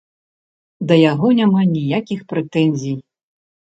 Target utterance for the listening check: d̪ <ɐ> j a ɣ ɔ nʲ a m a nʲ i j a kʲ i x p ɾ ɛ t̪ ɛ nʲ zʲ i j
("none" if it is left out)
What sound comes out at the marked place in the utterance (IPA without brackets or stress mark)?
ɐ